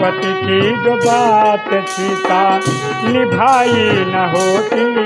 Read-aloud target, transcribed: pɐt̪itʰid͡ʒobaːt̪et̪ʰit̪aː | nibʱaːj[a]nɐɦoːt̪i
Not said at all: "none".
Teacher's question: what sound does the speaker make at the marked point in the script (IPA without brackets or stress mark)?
i